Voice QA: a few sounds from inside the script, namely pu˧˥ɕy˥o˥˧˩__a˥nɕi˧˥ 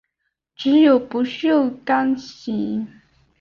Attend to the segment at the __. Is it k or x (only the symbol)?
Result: k